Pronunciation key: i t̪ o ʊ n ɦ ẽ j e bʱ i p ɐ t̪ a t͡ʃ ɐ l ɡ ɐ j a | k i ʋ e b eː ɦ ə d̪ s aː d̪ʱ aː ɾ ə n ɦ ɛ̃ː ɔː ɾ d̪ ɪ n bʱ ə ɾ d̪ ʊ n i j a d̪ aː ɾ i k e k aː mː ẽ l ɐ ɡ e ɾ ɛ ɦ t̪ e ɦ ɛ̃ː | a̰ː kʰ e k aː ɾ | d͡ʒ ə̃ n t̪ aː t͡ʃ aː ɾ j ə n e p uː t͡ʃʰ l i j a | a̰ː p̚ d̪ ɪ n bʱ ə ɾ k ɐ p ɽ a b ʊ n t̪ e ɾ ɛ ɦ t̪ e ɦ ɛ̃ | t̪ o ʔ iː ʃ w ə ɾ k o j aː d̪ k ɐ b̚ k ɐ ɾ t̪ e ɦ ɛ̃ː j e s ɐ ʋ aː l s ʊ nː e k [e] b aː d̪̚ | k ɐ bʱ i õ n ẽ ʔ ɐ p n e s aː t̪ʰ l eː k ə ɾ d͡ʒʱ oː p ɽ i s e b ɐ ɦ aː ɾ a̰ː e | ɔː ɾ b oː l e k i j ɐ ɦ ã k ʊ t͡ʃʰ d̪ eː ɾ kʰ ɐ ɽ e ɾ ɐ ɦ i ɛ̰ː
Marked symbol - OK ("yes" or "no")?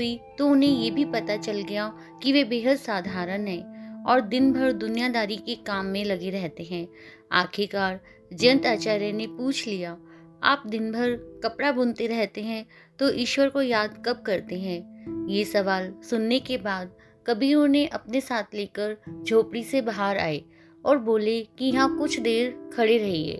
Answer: yes